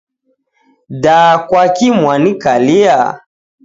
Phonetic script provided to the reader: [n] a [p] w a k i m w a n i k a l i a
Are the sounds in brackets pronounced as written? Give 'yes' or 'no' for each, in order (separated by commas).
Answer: no, no